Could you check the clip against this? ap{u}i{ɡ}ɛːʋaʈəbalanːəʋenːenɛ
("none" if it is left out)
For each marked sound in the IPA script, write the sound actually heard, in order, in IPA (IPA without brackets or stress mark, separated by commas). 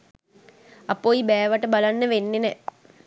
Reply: o, b